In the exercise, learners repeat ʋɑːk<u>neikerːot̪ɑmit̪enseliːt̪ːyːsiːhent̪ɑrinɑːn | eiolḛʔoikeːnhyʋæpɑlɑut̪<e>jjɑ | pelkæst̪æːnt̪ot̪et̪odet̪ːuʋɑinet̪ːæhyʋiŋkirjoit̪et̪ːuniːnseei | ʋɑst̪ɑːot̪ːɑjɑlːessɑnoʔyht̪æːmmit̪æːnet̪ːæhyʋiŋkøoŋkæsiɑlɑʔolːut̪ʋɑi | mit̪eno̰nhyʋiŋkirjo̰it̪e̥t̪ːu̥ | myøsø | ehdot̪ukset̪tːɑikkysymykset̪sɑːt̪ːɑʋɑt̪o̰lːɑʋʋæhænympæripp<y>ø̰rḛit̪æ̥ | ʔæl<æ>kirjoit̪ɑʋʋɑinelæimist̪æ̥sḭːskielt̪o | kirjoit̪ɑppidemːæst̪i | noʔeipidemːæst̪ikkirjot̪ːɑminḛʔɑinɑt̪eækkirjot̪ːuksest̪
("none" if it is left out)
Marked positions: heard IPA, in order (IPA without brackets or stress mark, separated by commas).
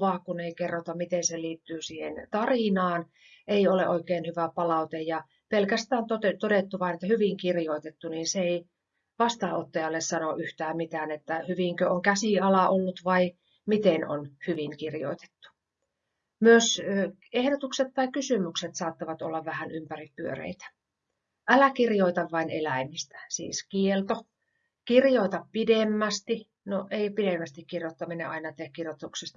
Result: u, e, y, æ